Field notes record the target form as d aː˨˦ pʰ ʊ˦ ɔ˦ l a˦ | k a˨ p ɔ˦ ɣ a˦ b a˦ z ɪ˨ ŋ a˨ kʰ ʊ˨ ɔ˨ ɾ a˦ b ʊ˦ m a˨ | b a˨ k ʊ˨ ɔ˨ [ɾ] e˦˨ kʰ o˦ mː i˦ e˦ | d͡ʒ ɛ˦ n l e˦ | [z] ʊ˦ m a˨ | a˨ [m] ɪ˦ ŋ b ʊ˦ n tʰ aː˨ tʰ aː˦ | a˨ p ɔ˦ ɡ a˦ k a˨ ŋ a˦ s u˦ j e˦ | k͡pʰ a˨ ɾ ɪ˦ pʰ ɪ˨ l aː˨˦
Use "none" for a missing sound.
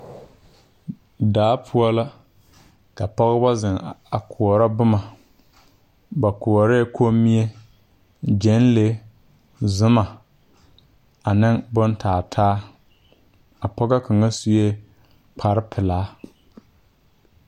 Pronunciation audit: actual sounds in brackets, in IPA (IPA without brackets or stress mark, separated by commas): ɾ, z, n